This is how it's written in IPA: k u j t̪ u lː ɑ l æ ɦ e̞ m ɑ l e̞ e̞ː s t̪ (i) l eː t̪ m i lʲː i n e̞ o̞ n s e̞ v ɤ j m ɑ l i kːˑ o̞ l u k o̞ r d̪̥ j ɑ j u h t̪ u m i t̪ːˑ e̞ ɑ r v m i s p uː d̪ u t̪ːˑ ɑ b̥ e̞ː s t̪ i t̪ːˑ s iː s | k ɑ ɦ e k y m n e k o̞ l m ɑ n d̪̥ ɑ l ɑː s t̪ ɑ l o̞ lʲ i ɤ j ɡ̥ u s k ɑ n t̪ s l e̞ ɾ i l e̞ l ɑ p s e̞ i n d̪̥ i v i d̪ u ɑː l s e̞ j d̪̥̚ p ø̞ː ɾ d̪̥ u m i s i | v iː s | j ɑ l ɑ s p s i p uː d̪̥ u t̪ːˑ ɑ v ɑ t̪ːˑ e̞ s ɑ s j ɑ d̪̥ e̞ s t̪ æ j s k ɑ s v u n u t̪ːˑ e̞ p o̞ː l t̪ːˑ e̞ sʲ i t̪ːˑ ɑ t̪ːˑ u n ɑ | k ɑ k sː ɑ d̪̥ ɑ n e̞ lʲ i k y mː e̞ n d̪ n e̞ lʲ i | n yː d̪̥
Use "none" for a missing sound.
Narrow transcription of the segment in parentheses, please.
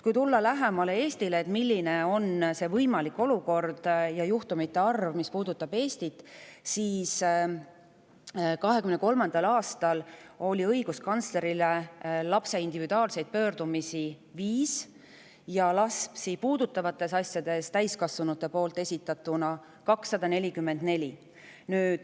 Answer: i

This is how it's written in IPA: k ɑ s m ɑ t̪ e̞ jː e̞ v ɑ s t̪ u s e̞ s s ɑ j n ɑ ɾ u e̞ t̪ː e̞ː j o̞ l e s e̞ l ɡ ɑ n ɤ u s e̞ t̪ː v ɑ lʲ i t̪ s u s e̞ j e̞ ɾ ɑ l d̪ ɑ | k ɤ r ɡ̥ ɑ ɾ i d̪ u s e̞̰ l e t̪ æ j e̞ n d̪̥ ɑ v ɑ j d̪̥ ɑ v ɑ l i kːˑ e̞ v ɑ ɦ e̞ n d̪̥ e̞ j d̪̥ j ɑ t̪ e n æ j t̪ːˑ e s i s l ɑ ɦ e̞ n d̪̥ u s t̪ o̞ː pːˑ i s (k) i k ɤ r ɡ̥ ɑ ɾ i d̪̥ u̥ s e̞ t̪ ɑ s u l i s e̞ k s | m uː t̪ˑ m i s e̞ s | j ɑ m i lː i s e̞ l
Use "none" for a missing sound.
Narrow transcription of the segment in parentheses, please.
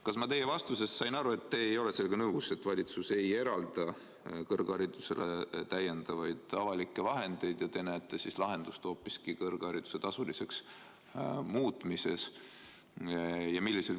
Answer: k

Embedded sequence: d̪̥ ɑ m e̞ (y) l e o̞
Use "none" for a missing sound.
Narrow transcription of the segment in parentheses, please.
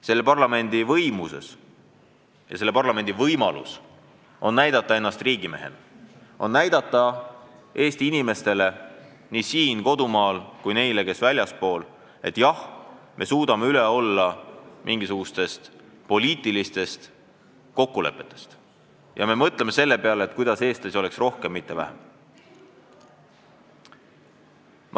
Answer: y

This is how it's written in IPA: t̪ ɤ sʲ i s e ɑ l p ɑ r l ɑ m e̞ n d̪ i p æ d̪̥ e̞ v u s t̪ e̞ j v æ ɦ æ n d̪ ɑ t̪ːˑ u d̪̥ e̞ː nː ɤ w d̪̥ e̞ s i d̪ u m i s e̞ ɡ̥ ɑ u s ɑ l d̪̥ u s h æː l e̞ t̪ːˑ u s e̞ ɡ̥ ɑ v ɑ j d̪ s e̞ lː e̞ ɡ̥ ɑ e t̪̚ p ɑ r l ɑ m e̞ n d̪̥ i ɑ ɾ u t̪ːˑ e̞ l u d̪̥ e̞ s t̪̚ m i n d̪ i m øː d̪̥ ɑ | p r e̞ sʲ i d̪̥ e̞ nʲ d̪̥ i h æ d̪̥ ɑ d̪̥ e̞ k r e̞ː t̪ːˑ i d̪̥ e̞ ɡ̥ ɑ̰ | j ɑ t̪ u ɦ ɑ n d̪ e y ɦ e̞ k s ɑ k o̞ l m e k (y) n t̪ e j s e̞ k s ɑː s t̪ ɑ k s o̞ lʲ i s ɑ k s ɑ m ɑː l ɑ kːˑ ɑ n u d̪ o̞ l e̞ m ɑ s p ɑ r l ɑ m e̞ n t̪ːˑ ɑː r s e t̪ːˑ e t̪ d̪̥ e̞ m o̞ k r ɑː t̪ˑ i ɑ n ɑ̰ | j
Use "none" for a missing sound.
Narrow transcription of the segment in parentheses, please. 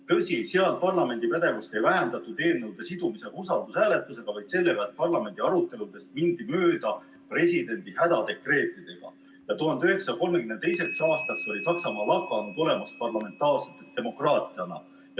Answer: y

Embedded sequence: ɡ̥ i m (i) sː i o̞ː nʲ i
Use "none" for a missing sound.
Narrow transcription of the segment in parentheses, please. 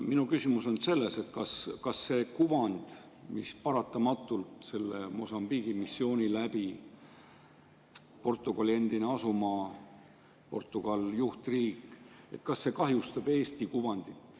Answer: i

